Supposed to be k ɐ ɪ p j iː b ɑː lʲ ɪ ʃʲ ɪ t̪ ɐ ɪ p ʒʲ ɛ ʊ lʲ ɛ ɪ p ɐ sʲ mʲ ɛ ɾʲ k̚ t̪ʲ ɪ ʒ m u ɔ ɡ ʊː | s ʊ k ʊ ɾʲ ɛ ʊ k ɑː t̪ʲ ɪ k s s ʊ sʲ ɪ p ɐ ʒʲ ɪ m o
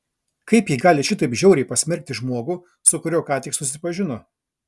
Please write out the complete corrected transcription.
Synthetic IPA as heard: k ɐ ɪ p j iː ɡ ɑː lʲ ɪ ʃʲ ɪ t̪ ɐ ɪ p ʒʲ ɛ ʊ ɾʲ ɛ ɪ p ɐ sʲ mʲ ɛ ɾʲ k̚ t̪ʲ ɪ ʒ m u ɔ ɡ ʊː | s ʊ k ʊ ɾʲ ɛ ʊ k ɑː t̪ʲ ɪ k s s ʊ sʲ ɪ p ɐ ʒʲ ɪ n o